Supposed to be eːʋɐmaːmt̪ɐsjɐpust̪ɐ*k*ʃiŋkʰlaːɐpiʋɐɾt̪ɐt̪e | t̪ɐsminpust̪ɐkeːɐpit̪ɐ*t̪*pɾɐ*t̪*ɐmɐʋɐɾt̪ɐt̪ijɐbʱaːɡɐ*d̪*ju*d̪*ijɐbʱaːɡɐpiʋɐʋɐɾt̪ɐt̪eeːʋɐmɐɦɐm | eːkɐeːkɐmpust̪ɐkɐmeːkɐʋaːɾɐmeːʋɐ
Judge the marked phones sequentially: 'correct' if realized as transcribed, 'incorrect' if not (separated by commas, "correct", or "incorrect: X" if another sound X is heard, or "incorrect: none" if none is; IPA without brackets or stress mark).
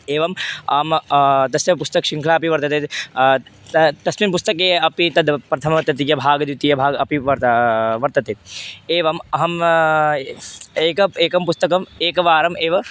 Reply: correct, incorrect: d̪, incorrect: t̪ʰ, correct, incorrect: t̪